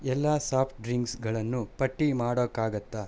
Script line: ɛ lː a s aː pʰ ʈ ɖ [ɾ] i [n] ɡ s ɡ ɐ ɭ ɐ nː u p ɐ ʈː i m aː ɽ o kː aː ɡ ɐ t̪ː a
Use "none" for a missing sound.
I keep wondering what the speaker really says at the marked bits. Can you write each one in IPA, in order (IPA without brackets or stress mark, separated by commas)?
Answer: ɾ, ŋ